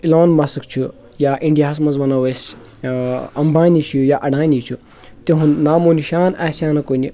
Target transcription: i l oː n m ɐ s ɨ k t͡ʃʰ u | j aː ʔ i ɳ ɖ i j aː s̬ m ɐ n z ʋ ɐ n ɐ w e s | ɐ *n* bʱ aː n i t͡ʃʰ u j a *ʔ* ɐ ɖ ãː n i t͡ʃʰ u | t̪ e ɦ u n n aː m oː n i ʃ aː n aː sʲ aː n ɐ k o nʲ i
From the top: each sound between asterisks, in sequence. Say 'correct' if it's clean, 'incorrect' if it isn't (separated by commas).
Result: incorrect, correct